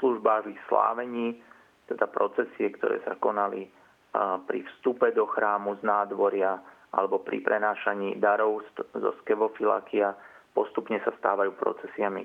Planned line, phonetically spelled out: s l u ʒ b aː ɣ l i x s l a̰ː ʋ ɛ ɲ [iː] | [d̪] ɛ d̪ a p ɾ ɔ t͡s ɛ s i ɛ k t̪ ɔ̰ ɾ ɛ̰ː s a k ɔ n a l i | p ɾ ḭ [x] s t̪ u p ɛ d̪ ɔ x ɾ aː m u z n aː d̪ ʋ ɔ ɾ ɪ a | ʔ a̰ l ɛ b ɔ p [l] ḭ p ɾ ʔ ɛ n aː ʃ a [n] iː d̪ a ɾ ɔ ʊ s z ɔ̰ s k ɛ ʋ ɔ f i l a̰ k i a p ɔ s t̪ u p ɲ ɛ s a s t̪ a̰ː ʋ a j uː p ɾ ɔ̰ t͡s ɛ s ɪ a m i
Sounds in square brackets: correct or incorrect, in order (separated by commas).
correct, incorrect, incorrect, incorrect, incorrect